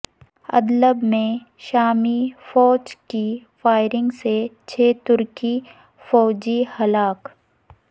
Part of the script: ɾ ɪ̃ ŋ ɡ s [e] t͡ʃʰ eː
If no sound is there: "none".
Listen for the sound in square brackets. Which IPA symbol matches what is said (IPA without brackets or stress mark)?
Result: e